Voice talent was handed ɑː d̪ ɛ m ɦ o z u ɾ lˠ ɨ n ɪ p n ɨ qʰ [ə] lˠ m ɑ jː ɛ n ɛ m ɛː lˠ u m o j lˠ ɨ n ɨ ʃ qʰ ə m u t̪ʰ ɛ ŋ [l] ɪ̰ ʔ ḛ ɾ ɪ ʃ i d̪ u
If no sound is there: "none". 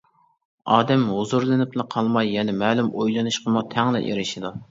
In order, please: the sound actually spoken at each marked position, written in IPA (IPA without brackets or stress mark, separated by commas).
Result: ɑ, l